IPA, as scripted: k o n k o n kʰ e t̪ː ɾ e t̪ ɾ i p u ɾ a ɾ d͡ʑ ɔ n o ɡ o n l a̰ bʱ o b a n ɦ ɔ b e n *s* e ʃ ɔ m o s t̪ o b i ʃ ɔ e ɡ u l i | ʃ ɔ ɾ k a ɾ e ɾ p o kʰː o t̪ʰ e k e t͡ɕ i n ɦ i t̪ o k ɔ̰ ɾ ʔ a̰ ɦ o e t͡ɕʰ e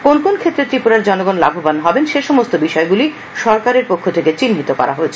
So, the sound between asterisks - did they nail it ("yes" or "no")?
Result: no